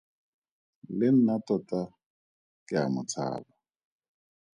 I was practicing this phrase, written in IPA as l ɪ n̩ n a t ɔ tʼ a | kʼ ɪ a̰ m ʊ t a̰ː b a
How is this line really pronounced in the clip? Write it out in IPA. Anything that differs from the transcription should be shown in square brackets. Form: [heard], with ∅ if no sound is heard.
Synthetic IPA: l ɪ n̩ n a t ɔ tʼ a | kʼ ɪ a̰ m ʊ [t͡sʰ] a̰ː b a